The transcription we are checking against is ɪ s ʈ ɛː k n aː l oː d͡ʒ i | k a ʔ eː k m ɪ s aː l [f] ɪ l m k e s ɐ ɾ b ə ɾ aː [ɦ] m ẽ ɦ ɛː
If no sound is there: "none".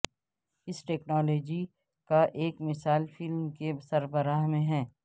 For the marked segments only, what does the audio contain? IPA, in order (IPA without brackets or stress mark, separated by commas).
f, ɦ